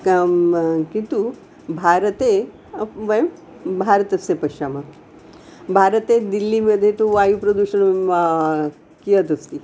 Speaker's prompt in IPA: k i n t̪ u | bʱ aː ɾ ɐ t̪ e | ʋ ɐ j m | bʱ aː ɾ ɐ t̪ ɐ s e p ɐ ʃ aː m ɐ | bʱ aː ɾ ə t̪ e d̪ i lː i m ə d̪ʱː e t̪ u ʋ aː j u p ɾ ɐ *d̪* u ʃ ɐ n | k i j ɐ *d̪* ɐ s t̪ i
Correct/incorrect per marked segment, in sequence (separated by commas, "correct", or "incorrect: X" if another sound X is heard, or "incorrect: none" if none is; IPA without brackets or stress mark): correct, incorrect: t̪